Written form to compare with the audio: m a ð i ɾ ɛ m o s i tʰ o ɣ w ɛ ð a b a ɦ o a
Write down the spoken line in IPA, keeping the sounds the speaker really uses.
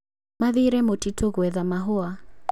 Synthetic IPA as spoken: m a ð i ɾ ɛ m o t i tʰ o ɣ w ɛ ð a m a ɦ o a